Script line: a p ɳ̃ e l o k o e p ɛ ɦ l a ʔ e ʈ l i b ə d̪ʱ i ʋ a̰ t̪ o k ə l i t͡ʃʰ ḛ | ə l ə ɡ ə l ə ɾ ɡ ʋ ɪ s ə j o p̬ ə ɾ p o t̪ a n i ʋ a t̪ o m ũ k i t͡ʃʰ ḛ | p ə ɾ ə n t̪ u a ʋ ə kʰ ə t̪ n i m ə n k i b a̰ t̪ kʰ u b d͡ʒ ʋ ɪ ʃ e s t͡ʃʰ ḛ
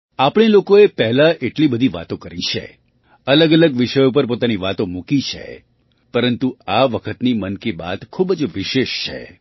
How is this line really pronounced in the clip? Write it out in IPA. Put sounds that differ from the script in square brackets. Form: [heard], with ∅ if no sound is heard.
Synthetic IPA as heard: a p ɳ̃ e l o k o e p ɛ ɦ l a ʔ e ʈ l i b ə d̪ʱ i ʋ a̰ t̪ o k ə [ɾ] i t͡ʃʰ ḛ | ə l ə ɡ ə l ə [∅] ɡ ʋ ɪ [ʃ] ə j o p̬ ə ɾ p o t̪ a n i ʋ a t̪ o m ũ k i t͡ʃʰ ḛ | p ə ɾ ə n t̪ u a ʋ ə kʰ ə t̪ n i m ə n k i b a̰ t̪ kʰ u b d͡ʒ ʋ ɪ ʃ e [ʃ] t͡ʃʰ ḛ